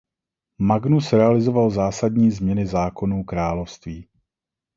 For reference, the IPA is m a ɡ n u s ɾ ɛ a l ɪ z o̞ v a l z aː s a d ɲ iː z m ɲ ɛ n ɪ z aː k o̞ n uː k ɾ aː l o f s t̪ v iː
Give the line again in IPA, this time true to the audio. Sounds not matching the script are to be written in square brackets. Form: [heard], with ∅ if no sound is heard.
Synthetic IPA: m a ɡ n u s ɾ ɛ a l ɪ z o̞ v a l z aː s a d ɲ iː z m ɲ ɛ n ɪ z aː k o̞ n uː k ɾ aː l o f s t̪ v iː